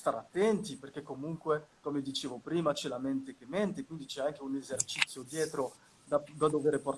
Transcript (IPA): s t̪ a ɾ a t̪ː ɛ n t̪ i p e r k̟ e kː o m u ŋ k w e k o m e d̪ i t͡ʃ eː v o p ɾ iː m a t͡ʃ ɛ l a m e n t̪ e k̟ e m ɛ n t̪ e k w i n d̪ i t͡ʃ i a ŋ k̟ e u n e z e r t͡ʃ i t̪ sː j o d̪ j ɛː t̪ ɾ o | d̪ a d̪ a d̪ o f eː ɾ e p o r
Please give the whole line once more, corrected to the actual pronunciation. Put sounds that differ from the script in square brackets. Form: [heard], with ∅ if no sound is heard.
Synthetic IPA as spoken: s t̪ a ɾ a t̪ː ɛ n t̪ i p e r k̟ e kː o m u ŋ k w e k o m e d̪ i t͡ʃ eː v o p ɾ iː m a t͡ʃ ɛ l a m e n t̪ e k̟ e m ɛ n t̪ e k w i n d̪ i t͡ʃ [ɛ] a ŋ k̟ e u n e z e r t͡ʃ i t̪ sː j o d̪ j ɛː t̪ ɾ o | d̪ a d̪ a d̪ o [v] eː ɾ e p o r